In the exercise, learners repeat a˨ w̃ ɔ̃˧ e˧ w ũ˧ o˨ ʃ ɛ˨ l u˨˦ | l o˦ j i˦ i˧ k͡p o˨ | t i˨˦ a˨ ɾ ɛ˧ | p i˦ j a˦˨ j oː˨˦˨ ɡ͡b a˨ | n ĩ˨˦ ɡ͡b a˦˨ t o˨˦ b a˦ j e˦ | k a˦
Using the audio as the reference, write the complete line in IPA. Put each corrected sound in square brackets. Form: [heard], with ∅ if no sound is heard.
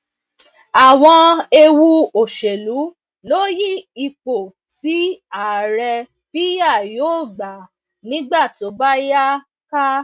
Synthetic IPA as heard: a˨ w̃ ɔ̃˧ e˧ w [u˧] o˨ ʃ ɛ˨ l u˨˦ | l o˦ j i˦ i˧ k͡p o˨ | t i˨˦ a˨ ɾ ɛ˧ | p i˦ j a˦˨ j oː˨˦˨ ɡ͡b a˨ | n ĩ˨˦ ɡ͡b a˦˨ t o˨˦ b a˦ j [a˦] | k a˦